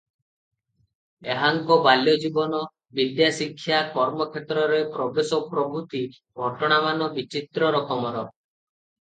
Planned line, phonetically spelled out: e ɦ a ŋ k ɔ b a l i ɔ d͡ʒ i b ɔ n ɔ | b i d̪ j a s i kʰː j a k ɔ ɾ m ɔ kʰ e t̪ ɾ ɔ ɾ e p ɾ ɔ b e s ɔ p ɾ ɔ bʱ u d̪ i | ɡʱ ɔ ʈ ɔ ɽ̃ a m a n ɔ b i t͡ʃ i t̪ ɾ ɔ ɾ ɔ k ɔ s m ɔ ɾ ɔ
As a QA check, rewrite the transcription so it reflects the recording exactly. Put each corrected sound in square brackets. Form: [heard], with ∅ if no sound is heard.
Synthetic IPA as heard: e ɦ a ŋ k ɔ b a l [j] ɔ d͡ʒ i b ɔ n ɔ | b i d̪ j a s i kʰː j a k ɔ ɾ m ɔ kʰ e t̪ ɾ ɔ ɾ e p ɾ ɔ b e s ɔ p ɾ ɔ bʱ u [t̪] i | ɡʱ ɔ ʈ ɔ ɽ̃ a m a n ɔ b i t͡ʃ i t̪ ɾ ɔ ɾ ɔ k ɔ [∅] m ɔ ɾ ɔ